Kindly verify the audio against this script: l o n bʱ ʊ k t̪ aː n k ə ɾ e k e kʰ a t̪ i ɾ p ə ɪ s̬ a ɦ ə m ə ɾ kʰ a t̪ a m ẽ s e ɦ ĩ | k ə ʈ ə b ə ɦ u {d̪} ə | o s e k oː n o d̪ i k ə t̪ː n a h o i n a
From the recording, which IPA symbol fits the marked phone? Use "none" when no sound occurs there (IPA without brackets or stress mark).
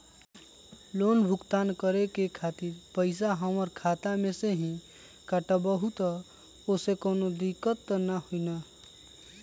t̪